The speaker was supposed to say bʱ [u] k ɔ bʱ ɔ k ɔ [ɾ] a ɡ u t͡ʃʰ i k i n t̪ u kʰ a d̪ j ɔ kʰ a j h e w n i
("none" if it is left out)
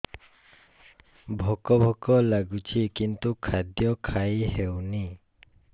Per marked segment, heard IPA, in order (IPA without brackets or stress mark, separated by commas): ɔ, l